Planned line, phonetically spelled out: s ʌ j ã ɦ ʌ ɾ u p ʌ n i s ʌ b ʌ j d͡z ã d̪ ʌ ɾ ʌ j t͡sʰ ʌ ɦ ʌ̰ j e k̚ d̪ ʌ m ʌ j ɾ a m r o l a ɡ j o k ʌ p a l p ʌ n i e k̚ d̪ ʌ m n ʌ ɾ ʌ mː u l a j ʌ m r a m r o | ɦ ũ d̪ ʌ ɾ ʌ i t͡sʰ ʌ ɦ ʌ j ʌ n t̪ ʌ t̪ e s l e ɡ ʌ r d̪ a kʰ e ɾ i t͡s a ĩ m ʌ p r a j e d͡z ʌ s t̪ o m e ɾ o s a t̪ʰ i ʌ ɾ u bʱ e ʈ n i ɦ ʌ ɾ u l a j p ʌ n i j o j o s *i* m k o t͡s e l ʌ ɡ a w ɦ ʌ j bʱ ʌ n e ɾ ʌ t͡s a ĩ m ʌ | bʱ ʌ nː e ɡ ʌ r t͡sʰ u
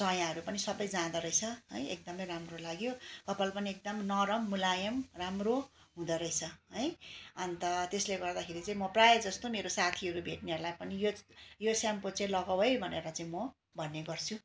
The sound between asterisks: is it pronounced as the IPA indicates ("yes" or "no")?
no